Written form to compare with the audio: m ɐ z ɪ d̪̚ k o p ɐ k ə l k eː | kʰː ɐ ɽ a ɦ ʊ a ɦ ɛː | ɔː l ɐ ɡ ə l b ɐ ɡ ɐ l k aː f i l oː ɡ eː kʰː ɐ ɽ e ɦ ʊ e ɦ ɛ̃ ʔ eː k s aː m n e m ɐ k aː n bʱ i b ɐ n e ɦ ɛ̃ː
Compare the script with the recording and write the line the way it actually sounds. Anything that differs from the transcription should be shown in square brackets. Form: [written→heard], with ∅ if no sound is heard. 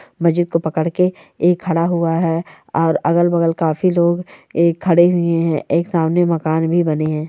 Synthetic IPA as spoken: m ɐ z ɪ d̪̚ k o p ɐ k ə [l→ɽ] k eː | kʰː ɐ ɽ a ɦ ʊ a ɦ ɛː | ɔː [l→ɾ] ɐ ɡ ə l b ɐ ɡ [ɐ→ə] l k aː f i l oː ɡ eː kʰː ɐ ɽ e ɦ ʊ e ɦ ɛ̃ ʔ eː k s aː m n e m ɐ k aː n bʱ i b ɐ n e ɦ ɛ̃ː